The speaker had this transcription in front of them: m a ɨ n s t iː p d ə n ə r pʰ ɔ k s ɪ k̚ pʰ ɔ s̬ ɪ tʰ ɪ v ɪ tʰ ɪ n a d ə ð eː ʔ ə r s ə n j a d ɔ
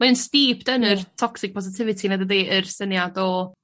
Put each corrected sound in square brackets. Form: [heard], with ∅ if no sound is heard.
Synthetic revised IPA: m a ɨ n s t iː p d ə n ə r [tʰ] ɔ k s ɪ k̚ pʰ ɔ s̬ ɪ tʰ ɪ v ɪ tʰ [i] n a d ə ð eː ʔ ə r s ə n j a d ɔ